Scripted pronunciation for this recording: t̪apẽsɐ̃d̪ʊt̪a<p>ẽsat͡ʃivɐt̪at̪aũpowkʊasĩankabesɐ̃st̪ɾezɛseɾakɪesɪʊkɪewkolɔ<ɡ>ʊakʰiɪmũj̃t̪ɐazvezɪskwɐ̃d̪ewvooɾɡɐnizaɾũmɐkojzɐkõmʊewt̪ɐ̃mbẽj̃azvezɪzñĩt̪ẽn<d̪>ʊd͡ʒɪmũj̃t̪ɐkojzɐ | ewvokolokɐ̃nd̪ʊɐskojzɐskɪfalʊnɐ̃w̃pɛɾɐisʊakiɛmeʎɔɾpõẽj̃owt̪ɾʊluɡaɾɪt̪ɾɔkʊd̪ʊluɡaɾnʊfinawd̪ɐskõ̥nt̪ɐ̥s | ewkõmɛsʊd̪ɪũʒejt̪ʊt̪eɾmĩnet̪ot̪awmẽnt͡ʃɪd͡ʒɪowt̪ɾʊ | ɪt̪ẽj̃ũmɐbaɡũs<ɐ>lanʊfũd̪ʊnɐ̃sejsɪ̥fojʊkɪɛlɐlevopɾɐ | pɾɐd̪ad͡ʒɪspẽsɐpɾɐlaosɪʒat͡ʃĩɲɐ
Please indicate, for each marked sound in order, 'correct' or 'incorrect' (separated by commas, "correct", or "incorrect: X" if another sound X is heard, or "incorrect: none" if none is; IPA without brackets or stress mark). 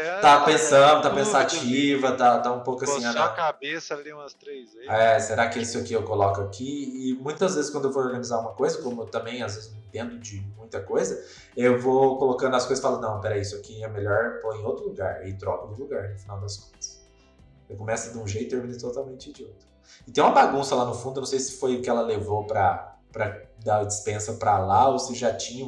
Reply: correct, incorrect: k, correct, correct